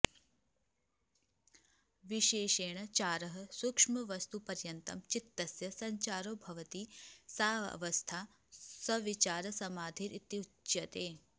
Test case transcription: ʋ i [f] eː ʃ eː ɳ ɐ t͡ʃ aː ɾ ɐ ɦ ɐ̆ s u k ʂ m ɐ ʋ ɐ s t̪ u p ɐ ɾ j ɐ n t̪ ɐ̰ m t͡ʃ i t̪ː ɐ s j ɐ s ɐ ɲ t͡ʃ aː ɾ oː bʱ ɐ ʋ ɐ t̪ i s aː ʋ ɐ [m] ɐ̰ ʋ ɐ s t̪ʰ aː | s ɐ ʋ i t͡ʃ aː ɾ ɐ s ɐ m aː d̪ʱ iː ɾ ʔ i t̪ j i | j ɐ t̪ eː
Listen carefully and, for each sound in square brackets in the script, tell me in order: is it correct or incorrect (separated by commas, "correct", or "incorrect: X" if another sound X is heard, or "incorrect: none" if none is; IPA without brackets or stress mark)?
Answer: incorrect: ʃ, incorrect: none